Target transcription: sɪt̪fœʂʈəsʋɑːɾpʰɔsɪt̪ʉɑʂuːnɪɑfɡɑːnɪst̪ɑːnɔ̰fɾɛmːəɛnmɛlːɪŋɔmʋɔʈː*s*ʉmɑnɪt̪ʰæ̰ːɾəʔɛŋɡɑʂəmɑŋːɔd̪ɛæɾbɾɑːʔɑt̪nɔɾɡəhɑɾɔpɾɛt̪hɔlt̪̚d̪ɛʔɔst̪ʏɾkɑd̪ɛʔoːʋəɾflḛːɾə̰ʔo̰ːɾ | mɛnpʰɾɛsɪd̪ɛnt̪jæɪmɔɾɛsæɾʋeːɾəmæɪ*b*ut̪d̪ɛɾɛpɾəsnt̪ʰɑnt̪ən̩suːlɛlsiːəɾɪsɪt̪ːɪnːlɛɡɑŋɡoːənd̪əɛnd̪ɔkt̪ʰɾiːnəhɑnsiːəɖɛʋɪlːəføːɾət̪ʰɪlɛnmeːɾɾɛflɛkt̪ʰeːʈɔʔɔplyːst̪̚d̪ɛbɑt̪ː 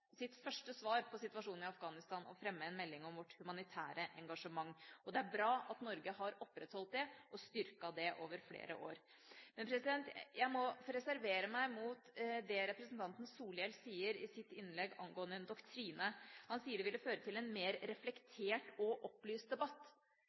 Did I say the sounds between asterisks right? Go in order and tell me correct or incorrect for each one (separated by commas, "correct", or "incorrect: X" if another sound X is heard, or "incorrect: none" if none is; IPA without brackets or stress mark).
incorrect: h, incorrect: m